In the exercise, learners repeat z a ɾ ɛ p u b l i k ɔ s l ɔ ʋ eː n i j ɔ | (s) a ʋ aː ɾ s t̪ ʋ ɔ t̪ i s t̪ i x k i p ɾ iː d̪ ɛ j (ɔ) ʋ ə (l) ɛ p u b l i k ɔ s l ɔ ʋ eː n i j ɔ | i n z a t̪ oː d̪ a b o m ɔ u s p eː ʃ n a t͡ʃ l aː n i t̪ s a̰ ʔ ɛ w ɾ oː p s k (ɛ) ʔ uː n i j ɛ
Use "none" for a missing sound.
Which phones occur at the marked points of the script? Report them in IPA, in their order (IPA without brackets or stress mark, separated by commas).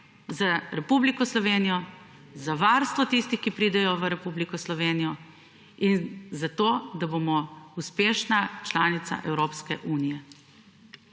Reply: z, ɔ, ɾ, ɛ